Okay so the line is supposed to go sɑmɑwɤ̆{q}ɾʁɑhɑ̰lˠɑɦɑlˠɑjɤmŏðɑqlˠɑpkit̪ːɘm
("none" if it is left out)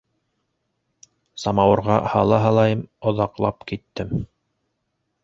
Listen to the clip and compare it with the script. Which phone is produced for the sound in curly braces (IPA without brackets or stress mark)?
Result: none